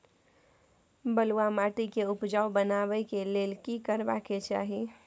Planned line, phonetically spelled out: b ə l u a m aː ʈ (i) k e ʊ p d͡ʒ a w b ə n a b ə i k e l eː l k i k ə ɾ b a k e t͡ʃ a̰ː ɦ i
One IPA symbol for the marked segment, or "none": i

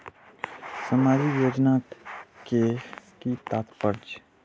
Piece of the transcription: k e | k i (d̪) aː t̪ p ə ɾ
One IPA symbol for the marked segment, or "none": t̪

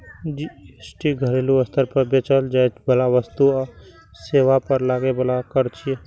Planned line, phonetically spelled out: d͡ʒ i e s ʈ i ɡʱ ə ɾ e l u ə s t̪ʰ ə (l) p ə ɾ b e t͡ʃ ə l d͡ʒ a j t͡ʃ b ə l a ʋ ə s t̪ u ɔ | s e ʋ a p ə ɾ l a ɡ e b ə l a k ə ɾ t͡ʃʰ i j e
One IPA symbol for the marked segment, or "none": ɾ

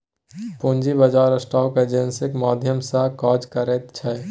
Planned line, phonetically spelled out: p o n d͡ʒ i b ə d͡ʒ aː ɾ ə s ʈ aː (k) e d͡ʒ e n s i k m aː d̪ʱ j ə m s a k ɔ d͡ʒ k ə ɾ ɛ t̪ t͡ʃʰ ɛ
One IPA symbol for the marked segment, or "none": k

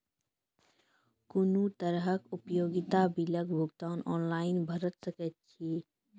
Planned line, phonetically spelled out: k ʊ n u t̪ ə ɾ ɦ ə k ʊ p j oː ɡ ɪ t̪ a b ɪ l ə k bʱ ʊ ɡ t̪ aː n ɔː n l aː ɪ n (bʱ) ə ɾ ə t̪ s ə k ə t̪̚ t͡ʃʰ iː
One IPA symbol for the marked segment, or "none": bʱ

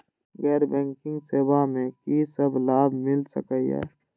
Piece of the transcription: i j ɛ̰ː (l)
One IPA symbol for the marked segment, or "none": none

